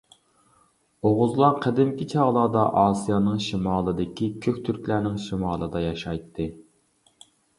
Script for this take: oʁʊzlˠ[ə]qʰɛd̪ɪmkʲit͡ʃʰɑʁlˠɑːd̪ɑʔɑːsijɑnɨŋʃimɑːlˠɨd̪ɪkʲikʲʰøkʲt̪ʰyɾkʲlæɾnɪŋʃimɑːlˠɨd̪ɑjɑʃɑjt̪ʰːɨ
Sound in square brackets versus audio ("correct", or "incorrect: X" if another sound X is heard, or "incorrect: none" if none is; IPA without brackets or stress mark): incorrect: ɑ